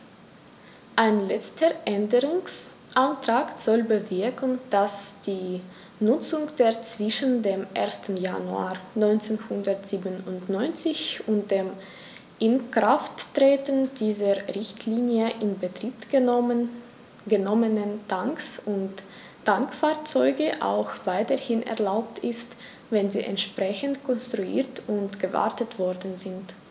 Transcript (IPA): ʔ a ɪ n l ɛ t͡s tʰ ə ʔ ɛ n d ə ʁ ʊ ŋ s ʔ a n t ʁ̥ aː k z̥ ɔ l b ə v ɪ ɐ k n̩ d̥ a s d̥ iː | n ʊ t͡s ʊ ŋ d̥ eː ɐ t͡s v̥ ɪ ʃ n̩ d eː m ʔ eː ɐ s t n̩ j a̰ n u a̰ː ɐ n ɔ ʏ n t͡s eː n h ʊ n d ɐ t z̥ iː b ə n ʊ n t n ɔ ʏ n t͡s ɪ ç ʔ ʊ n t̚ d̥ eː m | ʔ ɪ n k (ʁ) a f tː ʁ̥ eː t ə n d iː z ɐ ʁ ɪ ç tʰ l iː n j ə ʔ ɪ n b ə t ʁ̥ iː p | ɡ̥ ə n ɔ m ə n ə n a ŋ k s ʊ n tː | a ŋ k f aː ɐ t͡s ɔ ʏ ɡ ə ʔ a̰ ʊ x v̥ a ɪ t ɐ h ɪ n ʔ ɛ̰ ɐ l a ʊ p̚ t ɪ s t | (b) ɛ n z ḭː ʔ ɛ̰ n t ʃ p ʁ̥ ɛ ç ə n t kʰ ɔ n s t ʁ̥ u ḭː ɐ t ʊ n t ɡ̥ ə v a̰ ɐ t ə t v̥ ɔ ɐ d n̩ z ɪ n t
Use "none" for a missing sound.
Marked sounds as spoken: ʁ, v

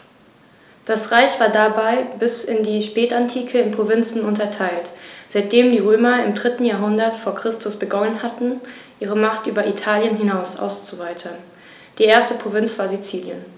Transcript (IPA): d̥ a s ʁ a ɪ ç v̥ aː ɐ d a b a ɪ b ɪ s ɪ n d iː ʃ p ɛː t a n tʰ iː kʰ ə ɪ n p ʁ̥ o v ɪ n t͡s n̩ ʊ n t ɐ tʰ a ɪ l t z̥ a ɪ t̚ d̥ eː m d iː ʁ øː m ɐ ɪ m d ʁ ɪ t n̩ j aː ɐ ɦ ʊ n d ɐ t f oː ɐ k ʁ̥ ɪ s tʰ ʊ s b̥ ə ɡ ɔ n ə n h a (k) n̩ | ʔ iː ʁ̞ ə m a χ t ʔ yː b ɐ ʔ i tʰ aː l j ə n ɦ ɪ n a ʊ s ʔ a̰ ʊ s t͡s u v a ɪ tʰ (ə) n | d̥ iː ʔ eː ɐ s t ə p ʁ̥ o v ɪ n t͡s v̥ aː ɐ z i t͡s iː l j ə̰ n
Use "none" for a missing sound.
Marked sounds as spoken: t, ɐ

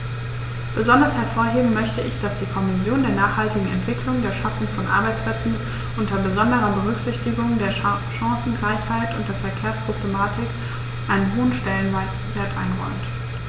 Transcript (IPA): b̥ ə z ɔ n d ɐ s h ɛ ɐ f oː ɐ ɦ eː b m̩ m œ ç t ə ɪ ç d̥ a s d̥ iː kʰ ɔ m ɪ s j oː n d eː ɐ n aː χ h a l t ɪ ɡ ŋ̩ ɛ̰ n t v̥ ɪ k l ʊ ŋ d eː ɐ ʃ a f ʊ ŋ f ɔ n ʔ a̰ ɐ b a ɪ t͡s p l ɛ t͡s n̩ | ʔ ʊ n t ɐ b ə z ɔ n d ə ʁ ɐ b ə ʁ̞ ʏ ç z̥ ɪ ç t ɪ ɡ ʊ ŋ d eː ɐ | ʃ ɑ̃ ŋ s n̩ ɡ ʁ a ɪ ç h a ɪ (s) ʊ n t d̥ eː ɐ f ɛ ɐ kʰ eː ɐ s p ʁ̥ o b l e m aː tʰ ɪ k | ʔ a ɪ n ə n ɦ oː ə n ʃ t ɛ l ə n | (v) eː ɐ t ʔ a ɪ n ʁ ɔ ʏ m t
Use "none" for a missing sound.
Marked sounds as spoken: t, v

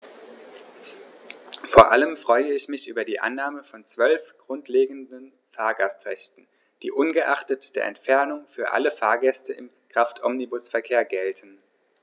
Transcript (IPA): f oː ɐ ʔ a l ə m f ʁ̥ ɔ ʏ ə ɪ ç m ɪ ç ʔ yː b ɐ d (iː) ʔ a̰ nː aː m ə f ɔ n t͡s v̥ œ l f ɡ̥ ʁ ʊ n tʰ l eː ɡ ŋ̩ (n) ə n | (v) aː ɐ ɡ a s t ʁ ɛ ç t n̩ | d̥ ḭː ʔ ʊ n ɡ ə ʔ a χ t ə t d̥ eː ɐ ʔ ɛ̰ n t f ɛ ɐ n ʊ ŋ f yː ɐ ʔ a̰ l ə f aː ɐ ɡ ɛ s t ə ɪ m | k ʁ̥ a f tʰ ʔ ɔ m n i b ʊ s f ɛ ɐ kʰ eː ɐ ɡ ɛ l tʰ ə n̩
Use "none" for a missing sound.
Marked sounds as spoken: iː, d, f

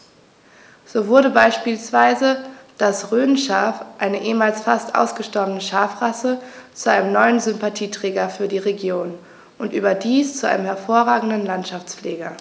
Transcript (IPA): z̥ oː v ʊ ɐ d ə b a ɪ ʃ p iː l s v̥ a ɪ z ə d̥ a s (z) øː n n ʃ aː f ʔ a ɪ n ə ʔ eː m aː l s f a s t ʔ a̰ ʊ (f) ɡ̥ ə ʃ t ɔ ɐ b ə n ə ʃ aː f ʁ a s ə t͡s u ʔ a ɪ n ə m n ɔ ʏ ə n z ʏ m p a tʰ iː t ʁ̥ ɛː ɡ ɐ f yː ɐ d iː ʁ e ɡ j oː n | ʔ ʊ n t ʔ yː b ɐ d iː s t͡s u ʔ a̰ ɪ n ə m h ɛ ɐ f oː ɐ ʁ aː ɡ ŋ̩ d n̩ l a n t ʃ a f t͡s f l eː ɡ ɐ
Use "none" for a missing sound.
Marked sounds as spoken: ʁ, s

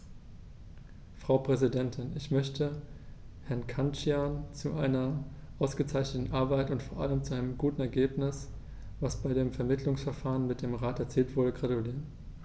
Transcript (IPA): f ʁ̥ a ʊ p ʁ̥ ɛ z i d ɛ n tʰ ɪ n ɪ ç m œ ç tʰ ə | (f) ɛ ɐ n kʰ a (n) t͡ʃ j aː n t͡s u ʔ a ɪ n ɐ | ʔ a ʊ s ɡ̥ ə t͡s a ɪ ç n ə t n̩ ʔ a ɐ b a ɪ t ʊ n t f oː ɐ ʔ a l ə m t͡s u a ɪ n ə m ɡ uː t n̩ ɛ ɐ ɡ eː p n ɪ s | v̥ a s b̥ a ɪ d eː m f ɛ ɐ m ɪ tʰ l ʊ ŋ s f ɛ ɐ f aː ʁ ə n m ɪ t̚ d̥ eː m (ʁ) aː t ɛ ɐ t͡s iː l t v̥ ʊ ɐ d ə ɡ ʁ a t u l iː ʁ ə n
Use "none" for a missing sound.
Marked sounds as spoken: h, n, ʁ

